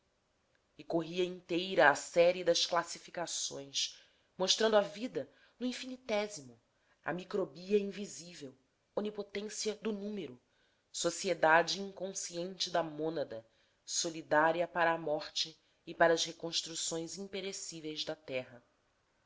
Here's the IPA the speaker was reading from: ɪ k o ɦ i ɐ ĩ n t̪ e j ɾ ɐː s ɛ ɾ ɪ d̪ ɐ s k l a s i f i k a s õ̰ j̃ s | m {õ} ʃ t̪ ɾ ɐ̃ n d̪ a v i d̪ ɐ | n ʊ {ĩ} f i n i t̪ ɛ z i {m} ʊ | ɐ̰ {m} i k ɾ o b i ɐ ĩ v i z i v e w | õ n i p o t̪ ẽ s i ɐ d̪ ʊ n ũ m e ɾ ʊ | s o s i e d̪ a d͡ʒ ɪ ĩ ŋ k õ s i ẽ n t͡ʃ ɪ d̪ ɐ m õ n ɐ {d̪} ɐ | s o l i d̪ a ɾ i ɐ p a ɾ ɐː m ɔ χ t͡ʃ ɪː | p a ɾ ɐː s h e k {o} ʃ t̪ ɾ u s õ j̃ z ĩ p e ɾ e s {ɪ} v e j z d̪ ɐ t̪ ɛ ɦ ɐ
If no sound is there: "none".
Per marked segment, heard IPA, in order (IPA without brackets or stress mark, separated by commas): o, ĩ, m, m, d̪, õ, i